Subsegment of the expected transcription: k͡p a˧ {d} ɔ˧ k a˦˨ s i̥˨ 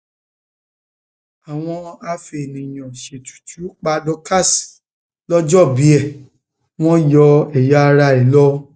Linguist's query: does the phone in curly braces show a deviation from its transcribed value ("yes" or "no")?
no